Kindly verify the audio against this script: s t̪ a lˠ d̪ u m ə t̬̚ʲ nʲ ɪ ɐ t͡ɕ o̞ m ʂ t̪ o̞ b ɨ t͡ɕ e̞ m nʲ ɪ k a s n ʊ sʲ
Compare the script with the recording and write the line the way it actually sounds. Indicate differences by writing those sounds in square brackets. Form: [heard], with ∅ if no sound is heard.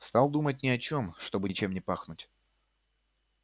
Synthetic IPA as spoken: s t̪ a lˠ d̪ u m ə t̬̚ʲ nʲ ɪ ɐ t͡ɕ o̞ m ʂ t̪ o̞ b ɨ t͡ɕ e̞ m nʲ ɪ [p] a [x] n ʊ [tʲ]